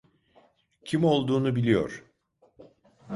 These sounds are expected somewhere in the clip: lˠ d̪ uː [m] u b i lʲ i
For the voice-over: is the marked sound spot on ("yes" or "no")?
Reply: no